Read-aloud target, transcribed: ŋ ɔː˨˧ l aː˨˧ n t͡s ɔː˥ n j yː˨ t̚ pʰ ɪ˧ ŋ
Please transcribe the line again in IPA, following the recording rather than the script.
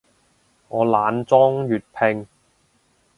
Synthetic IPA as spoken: ŋ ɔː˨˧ l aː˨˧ n t͡s ɔː˥ ŋ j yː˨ t̚ pʰ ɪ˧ ŋ